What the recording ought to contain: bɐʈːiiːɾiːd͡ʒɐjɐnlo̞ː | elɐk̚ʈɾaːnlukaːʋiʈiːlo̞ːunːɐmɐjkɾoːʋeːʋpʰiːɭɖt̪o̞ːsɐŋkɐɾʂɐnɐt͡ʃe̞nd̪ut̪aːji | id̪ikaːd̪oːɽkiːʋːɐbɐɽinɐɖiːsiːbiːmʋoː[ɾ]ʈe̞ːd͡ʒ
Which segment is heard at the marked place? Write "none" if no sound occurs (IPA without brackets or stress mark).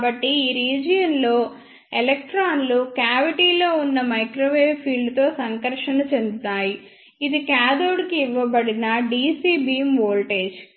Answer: l